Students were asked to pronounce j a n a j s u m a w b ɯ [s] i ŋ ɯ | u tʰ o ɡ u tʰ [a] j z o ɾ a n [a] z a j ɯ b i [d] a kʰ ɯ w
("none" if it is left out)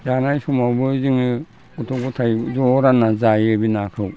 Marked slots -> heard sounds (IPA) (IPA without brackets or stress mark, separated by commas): z, a, a, n